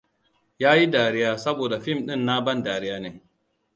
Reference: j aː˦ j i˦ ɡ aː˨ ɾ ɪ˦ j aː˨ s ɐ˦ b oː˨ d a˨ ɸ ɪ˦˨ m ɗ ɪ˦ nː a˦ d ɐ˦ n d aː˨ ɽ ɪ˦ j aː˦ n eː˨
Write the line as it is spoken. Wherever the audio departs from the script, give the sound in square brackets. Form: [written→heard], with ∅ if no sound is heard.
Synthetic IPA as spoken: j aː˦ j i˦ [ɡ→d] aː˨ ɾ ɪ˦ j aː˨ s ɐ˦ b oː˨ d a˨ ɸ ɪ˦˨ m ɗ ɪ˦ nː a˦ [d→b] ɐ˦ n d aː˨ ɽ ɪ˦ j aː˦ n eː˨